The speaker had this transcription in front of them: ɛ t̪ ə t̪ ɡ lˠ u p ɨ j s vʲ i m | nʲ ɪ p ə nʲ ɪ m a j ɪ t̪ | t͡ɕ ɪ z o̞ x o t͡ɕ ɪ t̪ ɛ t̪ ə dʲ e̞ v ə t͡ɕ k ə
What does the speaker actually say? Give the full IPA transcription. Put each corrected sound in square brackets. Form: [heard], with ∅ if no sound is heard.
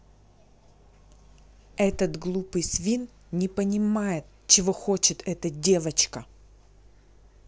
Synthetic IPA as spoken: ɛ t̪ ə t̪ ɡ lˠ u p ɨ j s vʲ i [n] | nʲ ɪ p ə nʲ ɪ m a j ɪ t̪ | t͡ɕ ɪ [v] o̞ x o t͡ɕ ɪ t̪ ɛ t̪ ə dʲ e̞ v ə t͡ɕ k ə

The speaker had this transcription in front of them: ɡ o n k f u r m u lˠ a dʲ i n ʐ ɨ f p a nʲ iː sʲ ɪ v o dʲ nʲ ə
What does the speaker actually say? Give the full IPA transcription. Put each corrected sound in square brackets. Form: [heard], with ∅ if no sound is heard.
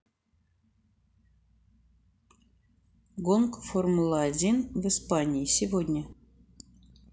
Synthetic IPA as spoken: ɡ o n k f [o] r m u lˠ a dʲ i n [v] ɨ [s] p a nʲ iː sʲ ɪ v o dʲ nʲ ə

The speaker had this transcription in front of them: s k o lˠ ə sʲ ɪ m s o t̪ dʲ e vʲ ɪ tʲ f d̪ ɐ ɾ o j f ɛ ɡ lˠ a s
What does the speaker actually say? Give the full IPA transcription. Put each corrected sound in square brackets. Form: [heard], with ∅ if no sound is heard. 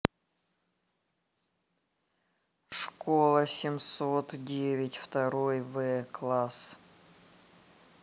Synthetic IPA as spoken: [ʂ] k o lˠ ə sʲ ɪ m s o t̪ dʲ e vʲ ɪ tʲ f [t̪] ɐ ɾ o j [v] ɛ [k] lˠ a s

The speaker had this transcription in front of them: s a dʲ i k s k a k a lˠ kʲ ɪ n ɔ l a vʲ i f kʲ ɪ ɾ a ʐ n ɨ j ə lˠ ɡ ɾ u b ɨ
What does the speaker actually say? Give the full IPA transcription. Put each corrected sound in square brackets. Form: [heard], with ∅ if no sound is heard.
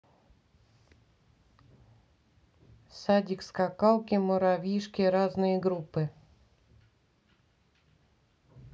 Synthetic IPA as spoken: s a dʲ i k s k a k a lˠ kʲ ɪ [m] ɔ [ɾ] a vʲ i [ʂ] kʲ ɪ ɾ a [z] n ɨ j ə [∅] ɡ ɾ u [p] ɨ

